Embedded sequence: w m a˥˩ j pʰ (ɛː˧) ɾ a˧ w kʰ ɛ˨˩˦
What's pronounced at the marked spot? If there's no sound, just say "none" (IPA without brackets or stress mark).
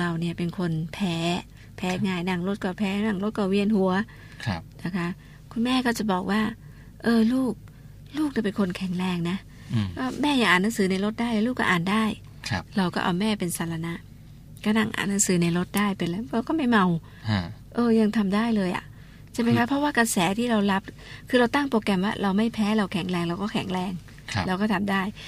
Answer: ɛː˦˥